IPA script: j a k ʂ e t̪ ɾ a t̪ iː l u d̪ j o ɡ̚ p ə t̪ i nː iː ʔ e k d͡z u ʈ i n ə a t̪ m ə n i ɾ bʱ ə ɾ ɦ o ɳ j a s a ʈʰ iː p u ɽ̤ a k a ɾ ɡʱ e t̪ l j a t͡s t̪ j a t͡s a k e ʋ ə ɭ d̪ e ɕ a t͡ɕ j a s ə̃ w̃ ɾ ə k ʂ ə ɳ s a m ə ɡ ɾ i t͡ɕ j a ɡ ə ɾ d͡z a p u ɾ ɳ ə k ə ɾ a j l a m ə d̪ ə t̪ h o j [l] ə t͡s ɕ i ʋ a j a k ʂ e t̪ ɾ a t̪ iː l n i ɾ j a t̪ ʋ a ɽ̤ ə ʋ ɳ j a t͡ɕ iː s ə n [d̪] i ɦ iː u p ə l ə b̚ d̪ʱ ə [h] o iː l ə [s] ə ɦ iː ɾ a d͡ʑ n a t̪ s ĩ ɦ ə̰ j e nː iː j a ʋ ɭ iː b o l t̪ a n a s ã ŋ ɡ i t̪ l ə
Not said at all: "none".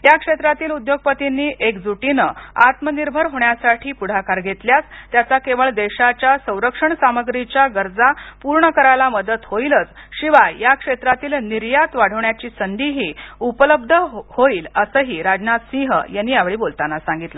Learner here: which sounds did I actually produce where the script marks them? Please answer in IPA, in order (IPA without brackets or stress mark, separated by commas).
l, d̪, h, s